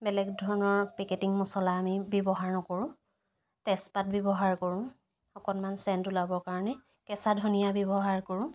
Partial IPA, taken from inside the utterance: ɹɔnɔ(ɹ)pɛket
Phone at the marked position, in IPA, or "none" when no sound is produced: ɹ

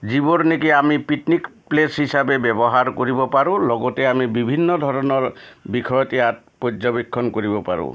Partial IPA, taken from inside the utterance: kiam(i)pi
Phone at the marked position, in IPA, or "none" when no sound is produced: i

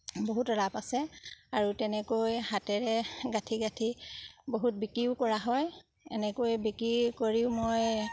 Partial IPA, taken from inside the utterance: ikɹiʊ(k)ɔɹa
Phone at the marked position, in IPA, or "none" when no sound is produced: k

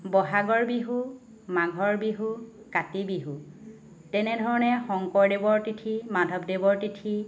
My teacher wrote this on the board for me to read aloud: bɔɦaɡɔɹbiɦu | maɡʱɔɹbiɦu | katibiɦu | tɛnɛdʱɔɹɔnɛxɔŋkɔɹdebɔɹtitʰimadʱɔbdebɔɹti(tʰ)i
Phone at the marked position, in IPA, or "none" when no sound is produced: tʰ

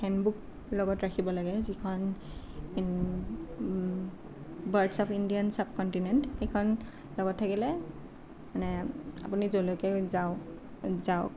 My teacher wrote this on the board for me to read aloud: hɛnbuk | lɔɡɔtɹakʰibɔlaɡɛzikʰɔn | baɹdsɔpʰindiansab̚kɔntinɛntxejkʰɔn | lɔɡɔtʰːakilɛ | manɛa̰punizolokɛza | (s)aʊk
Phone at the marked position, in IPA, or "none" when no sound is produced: z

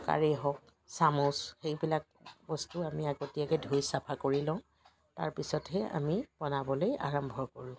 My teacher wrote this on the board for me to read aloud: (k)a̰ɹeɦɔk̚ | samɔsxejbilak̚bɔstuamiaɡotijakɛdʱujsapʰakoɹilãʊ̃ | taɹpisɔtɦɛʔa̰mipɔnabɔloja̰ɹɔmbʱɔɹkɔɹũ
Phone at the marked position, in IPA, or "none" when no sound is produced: k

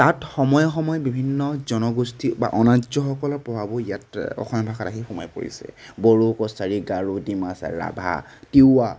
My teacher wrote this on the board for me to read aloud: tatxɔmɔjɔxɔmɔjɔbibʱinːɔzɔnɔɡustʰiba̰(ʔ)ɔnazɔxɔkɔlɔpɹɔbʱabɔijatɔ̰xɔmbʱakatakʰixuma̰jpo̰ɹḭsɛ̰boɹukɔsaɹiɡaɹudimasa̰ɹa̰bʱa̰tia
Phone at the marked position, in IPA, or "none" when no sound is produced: ʔ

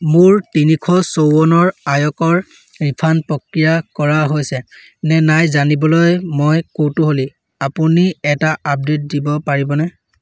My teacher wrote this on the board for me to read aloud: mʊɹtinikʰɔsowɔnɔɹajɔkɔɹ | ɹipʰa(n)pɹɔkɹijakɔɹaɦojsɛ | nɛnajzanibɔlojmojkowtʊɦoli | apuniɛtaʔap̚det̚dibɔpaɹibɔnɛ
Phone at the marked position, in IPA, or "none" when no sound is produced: n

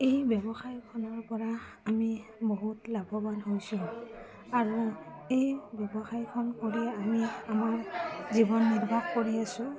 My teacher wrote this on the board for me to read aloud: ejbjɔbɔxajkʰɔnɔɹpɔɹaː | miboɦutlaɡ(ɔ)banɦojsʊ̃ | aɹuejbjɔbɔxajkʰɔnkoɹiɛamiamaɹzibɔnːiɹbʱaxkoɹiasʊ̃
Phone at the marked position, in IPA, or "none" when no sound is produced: ɔ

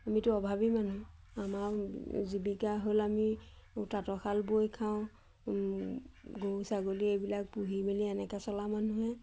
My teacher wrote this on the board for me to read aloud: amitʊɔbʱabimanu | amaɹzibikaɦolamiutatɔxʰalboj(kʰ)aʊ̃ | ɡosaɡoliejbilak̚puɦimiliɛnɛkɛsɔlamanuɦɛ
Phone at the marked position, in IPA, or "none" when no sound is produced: kʰ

